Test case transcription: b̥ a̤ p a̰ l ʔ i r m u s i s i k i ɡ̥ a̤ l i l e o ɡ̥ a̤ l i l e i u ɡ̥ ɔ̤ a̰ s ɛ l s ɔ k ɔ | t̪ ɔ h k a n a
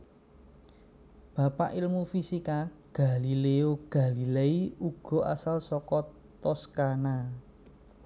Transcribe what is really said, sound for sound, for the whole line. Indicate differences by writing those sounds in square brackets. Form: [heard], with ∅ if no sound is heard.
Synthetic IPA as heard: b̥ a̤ p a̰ [∅] ʔ i [l] m u [f] i s i k [a] ɡ̥ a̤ l i l e o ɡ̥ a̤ l i l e i u ɡ̥ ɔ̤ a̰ s [a] l s ɔ k ɔ | t̪ ɔ [s] k a n a